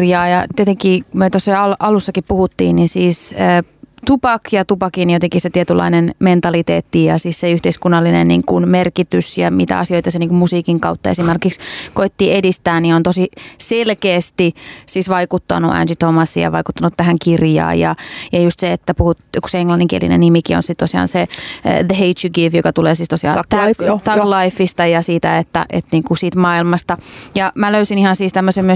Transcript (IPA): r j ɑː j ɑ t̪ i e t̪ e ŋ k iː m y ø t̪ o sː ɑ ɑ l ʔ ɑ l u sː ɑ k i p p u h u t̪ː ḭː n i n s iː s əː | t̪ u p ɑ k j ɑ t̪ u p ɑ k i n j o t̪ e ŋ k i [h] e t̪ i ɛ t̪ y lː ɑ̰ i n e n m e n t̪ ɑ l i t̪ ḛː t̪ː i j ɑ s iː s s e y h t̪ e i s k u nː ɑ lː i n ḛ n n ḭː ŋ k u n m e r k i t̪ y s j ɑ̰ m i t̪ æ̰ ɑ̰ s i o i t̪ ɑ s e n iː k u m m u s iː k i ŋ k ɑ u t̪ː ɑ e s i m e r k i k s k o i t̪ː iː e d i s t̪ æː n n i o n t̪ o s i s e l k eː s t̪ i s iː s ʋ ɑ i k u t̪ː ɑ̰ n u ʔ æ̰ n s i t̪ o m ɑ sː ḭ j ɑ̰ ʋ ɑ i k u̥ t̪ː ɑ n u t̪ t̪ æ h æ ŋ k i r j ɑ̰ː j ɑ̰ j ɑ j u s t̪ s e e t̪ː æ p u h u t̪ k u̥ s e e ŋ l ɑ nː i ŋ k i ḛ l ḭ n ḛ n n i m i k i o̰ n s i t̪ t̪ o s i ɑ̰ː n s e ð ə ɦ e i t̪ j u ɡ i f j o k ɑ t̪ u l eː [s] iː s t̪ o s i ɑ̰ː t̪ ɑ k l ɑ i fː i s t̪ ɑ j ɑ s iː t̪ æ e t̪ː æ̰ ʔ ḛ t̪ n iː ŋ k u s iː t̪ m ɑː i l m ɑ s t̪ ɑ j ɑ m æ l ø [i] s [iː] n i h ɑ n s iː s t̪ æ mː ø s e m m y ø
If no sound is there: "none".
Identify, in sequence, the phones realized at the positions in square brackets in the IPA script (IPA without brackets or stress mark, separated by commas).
s, s, y, i